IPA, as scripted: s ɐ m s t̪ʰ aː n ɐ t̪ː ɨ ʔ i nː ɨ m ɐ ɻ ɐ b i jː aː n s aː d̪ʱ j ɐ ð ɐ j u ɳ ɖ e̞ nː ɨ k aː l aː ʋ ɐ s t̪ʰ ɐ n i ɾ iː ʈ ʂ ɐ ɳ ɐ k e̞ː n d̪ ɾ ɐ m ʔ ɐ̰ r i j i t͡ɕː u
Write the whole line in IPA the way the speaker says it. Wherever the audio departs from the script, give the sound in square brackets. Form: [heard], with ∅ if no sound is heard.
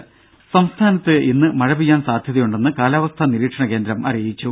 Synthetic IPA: s ɐ m s t̪ʰ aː n ɐ t̪ː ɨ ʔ i nː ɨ m ɐ ɻ ɐ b i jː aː n s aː d̪ʱ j ɐ ð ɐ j u ɳ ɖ e̞ nː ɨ k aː l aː ʋ ɐ s t̪ʰ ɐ n i ɾ iː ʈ ʂ ɐ ɳ ɐ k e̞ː n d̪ ɾ ɐ m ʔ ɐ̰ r i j i t͡ɕː u